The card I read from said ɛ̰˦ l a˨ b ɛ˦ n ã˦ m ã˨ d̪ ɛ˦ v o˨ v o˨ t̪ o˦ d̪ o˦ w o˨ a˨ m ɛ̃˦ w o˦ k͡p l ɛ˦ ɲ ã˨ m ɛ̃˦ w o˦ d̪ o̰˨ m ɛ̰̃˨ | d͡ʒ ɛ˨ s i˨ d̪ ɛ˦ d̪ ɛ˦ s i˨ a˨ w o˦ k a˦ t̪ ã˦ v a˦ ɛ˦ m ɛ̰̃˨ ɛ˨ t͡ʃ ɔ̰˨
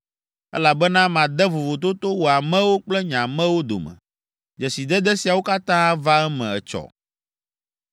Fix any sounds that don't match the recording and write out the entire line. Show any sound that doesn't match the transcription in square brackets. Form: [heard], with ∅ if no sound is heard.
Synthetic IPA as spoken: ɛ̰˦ l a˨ b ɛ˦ n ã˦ m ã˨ d̪ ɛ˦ v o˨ v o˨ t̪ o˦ [t̪] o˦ w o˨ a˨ m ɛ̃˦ w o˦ k͡p l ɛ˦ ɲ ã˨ m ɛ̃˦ w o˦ d̪ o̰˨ m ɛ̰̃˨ | d͡ʒ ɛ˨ s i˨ d̪ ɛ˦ d̪ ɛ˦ s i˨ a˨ w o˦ k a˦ t̪ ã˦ v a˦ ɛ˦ m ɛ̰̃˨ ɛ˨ t͡ʃ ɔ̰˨